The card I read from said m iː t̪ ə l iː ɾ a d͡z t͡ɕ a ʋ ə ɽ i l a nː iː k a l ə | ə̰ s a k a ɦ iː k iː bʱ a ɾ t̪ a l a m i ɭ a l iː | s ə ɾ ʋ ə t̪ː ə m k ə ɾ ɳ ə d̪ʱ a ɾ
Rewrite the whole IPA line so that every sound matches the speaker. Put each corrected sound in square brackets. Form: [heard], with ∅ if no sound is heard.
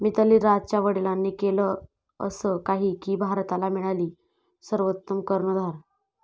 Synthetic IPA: m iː t̪ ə l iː ɾ a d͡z t͡ɕ a ʋ ə ɽ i l a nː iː k [e] l ə | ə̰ s [ə] k a ɦ iː k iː bʱ a ɾ t̪ a l a m i ɭ a l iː | s ə ɾ ʋ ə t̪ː ə m k ə ɾ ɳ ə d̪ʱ a ɾ